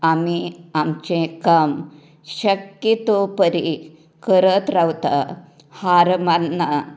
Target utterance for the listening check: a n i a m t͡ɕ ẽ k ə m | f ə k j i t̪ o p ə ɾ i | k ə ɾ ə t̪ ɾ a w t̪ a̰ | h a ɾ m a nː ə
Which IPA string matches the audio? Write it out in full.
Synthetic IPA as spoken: a m i a m t͡ɕ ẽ k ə m | ɕ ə k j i t̪ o p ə ɾ i | k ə ɾ ə t̪ ɾ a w t̪ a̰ | h a ɾ m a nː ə